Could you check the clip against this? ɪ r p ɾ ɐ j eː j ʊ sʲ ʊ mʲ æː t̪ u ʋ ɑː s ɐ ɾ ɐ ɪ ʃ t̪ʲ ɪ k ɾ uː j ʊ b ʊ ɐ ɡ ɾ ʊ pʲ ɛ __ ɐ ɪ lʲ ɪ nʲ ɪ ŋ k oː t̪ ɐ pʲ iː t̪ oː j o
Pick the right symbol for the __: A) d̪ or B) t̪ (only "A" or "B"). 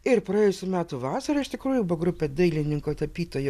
A